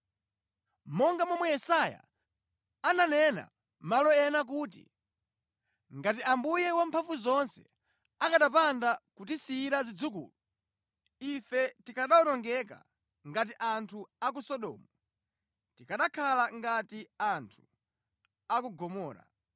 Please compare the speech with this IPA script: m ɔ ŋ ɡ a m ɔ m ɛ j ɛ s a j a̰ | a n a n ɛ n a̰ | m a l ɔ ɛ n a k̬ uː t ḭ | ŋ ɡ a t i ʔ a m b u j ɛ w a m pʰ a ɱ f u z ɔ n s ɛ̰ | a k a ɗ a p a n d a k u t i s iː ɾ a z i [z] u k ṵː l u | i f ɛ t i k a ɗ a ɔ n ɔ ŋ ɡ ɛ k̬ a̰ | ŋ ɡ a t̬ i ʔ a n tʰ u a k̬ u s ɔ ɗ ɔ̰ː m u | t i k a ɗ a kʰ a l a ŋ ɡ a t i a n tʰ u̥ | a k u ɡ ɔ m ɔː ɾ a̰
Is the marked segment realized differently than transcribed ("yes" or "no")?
yes